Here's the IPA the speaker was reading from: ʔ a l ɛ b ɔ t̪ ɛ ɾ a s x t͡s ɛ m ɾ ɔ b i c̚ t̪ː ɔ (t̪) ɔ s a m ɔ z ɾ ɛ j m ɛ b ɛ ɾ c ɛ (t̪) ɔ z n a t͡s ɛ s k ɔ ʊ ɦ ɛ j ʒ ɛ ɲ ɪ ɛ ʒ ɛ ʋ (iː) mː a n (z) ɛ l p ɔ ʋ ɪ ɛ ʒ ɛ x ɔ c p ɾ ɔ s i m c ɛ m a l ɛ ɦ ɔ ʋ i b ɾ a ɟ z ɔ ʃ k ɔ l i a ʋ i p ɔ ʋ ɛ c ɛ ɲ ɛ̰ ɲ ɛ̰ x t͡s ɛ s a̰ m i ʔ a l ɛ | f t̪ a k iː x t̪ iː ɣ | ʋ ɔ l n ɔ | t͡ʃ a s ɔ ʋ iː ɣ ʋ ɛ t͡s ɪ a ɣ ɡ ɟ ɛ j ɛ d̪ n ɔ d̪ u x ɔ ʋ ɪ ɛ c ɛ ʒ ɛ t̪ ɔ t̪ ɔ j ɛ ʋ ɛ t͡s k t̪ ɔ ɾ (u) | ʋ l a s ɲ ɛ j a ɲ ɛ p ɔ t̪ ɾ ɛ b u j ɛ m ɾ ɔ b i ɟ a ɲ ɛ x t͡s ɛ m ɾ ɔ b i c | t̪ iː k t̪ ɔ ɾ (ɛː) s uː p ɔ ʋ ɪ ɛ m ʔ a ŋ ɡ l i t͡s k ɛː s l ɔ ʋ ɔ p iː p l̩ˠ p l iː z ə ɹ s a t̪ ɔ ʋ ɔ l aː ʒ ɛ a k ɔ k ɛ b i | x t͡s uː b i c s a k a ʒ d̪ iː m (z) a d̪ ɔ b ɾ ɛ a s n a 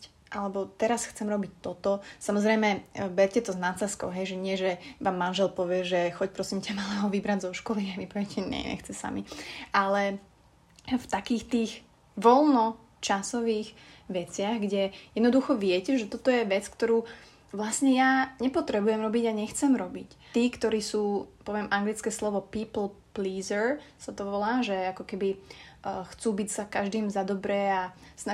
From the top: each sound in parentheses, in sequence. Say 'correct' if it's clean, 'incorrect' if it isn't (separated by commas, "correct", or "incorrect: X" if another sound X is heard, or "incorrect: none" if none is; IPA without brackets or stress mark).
correct, correct, incorrect: aː, incorrect: ʒ, incorrect: uː, incorrect: iː, correct